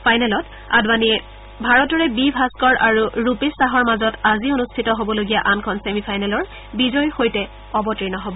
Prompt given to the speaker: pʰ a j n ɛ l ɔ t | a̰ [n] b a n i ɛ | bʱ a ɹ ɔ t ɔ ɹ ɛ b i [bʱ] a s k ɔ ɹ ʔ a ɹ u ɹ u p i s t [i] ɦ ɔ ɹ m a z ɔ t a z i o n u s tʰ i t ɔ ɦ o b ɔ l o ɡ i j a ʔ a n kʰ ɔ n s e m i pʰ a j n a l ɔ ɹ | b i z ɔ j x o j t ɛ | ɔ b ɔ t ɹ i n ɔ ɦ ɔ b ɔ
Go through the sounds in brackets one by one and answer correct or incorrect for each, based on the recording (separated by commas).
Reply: incorrect, correct, incorrect